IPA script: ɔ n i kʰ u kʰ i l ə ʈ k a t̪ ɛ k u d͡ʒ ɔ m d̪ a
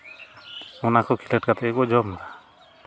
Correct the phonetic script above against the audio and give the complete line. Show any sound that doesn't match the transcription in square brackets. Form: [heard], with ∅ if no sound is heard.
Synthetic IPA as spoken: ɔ n [a] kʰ [ɔ] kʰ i l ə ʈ k a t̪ ɛ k [ɔ] d͡ʒ ɔ m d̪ a